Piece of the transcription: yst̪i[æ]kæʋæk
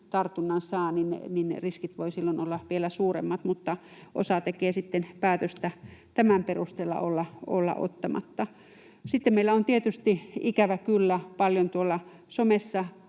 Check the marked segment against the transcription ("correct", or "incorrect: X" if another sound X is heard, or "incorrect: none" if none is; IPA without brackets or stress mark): incorrect: i